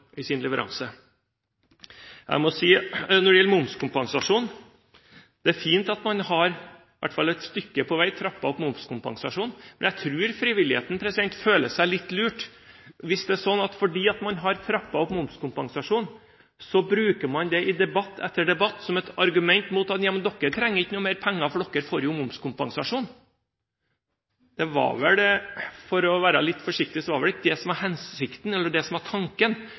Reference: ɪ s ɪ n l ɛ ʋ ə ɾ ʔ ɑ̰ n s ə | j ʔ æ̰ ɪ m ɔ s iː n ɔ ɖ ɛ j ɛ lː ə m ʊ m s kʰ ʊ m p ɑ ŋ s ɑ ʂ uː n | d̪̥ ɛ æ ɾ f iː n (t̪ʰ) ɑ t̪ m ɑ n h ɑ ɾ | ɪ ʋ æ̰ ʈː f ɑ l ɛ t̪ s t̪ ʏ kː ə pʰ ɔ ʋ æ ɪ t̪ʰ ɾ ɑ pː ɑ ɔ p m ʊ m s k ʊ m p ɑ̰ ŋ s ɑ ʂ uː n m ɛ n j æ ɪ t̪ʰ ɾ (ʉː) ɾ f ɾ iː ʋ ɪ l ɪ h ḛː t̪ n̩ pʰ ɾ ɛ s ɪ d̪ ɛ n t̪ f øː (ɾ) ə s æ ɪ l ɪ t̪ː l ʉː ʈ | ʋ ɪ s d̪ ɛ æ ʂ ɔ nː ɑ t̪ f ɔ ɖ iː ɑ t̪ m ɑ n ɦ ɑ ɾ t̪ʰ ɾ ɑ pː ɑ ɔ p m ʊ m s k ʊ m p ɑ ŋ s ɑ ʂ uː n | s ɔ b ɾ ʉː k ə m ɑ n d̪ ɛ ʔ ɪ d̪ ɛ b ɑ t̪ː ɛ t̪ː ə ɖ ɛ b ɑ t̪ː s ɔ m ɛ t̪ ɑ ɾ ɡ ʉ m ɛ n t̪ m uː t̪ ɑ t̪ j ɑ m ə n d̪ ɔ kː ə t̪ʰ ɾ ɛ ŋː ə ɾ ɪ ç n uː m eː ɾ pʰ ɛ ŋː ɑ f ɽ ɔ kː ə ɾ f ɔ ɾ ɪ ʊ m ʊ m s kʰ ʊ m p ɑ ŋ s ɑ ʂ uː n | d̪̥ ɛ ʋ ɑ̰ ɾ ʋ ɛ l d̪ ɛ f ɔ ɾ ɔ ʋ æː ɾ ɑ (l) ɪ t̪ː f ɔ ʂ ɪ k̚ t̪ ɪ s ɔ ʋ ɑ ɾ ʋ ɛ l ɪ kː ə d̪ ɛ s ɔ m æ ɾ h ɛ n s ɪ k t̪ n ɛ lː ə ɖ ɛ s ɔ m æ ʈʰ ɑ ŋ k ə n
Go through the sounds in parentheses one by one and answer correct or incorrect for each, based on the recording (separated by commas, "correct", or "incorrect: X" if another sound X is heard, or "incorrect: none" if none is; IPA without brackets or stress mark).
incorrect: t̪, correct, incorrect: l, correct